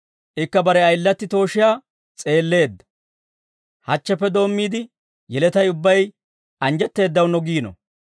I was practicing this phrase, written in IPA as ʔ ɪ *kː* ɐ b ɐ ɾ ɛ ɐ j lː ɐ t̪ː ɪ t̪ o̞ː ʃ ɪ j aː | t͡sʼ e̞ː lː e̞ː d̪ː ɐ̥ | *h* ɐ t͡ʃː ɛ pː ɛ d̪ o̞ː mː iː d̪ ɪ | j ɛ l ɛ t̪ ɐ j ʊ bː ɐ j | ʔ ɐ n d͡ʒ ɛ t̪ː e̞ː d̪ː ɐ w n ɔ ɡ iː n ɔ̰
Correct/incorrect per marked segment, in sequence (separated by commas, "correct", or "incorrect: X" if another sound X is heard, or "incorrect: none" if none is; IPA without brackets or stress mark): correct, correct